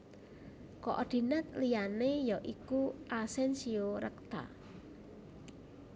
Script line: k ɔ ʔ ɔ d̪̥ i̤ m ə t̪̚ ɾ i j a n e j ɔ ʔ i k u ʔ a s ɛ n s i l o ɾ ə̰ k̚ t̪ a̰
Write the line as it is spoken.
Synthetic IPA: k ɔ ʔ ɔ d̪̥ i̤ n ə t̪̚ l i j a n e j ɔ ʔ i k u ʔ a s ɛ n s i o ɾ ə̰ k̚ t̪ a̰

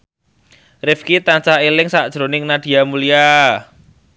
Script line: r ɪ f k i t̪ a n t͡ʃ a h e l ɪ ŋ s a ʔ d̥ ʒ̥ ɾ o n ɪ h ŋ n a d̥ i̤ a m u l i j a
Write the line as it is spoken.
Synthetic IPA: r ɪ f k i t̪ a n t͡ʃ a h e l ɪ ŋ s a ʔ d̥ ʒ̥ ɾ o n ɪ ŋ n a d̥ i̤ a m u l i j a

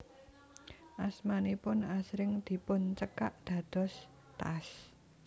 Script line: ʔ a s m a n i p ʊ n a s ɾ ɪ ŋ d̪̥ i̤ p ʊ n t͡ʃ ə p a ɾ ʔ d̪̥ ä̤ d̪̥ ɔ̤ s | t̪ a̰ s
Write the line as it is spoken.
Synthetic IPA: ʔ a s m a n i p ʊ n a s ɾ ɪ ŋ d̪̥ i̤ p ʊ n t͡ʃ ə k a ʔ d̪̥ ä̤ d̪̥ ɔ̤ s | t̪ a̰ s

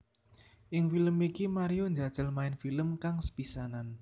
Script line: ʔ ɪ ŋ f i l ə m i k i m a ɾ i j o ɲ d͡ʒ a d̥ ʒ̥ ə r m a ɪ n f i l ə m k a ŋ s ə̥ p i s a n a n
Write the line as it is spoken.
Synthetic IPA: ʔ ɪ ŋ f i l ə m i k i m a ɾ i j o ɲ d͡ʒ a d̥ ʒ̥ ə l m a ɪ n f i l ə m k a ŋ s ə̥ p i s a n a n

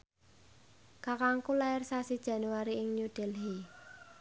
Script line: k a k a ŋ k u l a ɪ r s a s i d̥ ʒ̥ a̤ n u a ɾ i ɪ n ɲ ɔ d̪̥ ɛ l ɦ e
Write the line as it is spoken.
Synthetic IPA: k a k a ŋ k u l a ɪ r s a s i d̥ ʒ̥ a̤ n u a ɾ i ɪ ŋ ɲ u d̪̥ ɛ l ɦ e

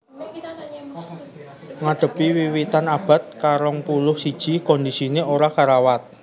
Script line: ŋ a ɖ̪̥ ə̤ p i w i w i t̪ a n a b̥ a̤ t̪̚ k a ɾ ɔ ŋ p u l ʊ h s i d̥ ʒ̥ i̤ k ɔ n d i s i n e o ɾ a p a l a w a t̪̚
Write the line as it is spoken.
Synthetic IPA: ŋ a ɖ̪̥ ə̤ p i w i w i t̪ a n a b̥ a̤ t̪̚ k a ɾ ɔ ŋ p u l ʊ h s i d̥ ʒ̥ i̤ k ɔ n d i s i n e o ɾ a k a ɾ a w a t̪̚

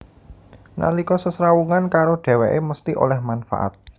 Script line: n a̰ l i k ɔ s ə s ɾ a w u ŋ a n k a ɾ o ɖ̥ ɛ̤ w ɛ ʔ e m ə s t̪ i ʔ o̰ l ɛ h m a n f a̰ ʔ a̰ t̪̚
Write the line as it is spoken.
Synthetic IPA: n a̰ l i k ɔ s ə s ɾ a w u ŋ a n k a ɾ o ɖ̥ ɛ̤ w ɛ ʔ e m ə s t̪ i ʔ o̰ l ɛ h m a n f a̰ ʔ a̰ t̪̚

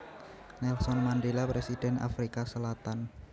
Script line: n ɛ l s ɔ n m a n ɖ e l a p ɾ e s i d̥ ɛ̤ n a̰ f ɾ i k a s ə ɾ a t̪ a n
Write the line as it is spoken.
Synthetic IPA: n ɛ l s ɔ n m a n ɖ e l a p ɾ e s i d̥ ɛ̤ n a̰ f ɾ i k a s ə l a t̪ a n

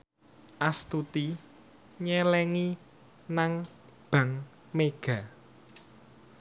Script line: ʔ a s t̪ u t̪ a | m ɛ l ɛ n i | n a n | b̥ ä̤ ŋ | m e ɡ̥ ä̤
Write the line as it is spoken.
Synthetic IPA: ʔ a s t̪ u t̪ i | ɲ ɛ l ɛ ŋ i | n a ŋ | b̥ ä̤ ŋ | m e ɡ̥ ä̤

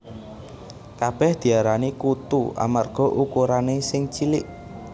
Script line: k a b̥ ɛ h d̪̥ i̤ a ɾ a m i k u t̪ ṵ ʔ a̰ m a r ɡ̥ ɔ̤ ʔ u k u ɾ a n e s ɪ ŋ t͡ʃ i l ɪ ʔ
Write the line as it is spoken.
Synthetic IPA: k a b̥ ɛ h d̪̥ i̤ a ɾ a n i k u t̪ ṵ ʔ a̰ m a r ɡ̥ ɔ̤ ʔ u k u ɾ a n e s ɪ ŋ t͡ʃ i l ɪ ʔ

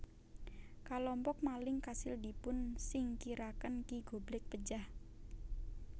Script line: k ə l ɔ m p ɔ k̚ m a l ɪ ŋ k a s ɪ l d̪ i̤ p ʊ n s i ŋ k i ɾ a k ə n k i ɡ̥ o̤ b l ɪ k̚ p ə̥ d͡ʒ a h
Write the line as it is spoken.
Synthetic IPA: k a l ɔ m p ɔ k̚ m a l ɪ ŋ k a s ɪ l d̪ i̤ p ʊ n s ɪ ŋ k i ɾ a k ə n k i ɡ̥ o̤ b l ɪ k̚ p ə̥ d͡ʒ a h

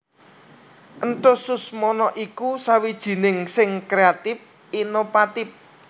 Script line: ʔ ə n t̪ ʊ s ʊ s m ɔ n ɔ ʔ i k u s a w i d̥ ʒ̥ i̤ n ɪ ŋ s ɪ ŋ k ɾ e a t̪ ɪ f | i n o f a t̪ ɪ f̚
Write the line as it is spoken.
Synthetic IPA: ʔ ə n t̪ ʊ s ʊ s m ɔ n ɔ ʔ i k u s a w i d̥ ʒ̥ i̤ n ɪ ŋ s ɪ ŋ k ɾ e a t̪ ɪ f | i n o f a t̪ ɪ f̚

